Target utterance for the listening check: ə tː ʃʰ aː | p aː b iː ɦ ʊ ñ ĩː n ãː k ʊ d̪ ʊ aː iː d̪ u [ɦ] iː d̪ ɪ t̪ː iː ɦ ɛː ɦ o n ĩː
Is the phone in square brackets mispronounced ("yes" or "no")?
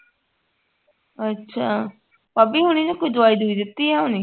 yes